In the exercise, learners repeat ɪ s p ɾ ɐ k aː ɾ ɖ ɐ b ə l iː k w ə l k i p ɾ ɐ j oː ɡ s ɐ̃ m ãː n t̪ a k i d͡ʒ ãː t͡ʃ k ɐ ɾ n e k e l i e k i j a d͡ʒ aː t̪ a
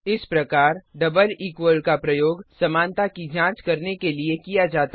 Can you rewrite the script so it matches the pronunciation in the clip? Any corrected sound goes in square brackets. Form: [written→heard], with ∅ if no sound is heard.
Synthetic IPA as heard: ɪ s p ɾ ɐ k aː ɾ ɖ ɐ b ə l iː k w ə l k [i→a] p ɾ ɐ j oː ɡ s [ɐ̃→ɐ] m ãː n t̪ a k i d͡ʒ ãː t͡ʃ k ɐ ɾ n e k e l i e k i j a d͡ʒ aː t̪ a

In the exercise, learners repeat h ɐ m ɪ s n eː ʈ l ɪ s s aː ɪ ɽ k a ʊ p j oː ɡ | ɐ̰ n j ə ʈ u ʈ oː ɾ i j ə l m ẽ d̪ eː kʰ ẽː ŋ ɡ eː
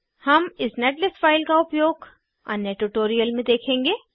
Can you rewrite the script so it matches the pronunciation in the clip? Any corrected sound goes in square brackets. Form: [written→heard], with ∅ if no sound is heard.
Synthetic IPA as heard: h ɐ m ɪ s n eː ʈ l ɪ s [s→f] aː ɪ [ɽ→l] k a ʊ p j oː ɡ | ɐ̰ n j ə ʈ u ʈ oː ɾ i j ə l m ẽ d̪ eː kʰ ẽː ŋ ɡ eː

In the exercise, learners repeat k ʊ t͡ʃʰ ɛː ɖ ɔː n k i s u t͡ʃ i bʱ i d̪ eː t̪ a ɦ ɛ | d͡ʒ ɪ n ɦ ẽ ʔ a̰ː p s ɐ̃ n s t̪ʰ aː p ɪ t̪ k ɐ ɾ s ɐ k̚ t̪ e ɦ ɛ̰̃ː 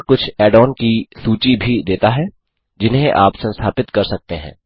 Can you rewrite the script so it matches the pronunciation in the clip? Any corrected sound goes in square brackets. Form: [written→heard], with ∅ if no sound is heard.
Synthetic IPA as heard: k ʊ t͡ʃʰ ɛː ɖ ɔː n k i s [u→uː] t͡ʃ i bʱ i d̪ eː t̪ a ɦ ɛ | d͡ʒ ɪ n ɦ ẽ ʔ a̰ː p s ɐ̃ n s t̪ʰ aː p ɪ t̪ k ɐ ɾ s ɐ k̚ t̪ e ɦ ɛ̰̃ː

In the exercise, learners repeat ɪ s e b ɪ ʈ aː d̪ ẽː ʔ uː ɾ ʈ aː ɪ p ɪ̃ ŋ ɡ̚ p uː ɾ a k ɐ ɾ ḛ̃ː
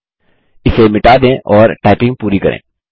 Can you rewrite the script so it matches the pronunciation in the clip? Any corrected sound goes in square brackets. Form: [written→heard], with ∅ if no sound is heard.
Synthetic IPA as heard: ɪ s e [b→m] ɪ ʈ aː d̪ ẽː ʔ [uː→ɔː] ɾ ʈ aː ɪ p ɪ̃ ŋ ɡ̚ p uː ɾ [a→i] k ɐ ɾ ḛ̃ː

